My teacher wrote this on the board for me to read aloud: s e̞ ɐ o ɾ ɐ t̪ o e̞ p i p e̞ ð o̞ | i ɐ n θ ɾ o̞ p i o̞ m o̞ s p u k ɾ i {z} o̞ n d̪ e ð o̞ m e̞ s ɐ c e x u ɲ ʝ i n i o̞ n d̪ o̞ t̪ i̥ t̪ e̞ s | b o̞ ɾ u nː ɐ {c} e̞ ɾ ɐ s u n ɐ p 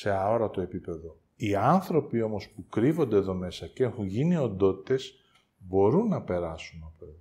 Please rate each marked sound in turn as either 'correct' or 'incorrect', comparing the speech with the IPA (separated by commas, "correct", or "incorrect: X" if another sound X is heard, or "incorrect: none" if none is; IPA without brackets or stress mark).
incorrect: v, incorrect: p